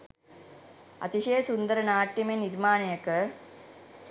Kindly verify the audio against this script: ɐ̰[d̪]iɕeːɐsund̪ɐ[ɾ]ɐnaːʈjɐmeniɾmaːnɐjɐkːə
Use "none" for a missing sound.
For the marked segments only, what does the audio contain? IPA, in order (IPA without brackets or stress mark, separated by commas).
t̪, ɾ